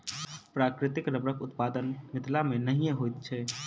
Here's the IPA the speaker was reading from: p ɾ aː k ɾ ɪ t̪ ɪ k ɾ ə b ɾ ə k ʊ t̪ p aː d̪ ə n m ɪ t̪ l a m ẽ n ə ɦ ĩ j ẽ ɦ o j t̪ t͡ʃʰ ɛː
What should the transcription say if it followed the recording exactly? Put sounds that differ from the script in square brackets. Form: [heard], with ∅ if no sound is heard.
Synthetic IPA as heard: p ɾ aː k ɾ ɪ t̪ ɪ k ɾ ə b ɾ ə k ʊ t̪ p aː d̪ ə n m ɪ t̪ l a m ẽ n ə ɦ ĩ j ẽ ɦ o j t̪ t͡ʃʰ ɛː